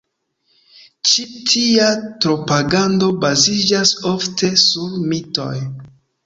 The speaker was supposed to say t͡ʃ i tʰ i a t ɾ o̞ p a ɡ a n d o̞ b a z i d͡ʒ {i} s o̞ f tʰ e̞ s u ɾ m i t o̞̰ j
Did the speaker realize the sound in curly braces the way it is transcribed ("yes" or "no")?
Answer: no